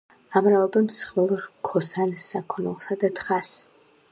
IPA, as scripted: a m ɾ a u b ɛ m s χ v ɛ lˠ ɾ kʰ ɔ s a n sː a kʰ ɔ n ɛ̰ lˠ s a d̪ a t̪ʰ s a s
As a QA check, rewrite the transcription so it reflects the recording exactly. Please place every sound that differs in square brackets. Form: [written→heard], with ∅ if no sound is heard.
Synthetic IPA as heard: a m ɾ a [u→ɔ] b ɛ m s χ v ɛ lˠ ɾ kʰ ɔ s a n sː a kʰ ɔ n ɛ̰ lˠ s a d̪ a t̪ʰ [s→χ] a s